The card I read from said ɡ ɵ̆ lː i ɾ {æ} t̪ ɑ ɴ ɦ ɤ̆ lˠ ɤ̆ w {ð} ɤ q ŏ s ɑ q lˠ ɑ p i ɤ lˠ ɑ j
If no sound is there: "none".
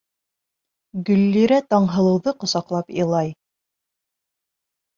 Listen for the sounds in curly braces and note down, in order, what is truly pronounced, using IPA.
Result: æ, ð

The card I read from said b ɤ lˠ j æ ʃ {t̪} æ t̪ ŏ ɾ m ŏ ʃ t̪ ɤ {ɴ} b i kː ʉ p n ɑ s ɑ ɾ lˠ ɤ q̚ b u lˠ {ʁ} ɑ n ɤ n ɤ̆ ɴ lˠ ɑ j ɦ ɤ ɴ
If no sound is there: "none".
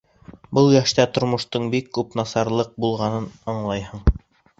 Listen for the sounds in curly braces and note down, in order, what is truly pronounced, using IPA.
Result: t̪, ɴ, ʁ

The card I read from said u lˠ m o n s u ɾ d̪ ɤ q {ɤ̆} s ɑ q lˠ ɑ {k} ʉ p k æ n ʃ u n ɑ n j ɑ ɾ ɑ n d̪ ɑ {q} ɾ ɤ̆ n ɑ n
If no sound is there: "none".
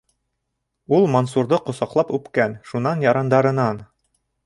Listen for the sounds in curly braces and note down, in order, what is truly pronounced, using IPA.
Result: ŏ, p, none

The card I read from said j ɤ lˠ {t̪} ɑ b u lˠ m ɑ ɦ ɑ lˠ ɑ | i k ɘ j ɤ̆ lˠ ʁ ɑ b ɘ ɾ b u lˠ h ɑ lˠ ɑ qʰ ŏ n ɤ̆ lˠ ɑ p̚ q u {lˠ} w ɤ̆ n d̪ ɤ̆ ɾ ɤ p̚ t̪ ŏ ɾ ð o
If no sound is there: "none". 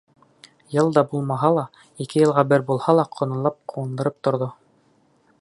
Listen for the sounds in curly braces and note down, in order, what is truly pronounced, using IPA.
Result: d̪, none

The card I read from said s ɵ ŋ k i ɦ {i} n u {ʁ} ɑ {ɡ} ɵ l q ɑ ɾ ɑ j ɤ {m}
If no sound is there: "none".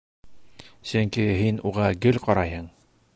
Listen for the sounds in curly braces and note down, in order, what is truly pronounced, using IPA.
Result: i, ʁ, ɡ, ɴ

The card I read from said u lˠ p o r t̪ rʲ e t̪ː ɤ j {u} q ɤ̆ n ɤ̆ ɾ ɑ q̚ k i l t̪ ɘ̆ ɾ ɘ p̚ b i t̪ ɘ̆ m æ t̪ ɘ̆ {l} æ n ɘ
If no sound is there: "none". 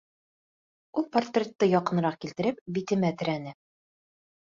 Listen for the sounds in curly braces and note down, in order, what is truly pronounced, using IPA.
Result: ɒ, ɾ

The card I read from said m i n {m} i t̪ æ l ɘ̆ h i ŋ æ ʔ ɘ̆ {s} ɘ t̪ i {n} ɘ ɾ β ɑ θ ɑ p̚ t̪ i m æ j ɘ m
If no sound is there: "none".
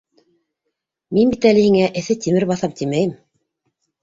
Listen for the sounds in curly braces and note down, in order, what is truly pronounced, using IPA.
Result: b, θ, m

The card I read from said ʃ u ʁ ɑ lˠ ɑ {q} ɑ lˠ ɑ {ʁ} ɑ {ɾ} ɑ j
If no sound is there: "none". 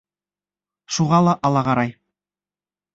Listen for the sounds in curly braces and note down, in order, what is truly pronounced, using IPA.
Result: ʔ, ʁ, ɾ

